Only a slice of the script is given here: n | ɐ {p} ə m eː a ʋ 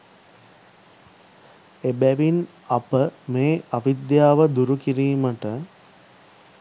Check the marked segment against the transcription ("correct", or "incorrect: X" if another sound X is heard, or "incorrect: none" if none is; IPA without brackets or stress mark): correct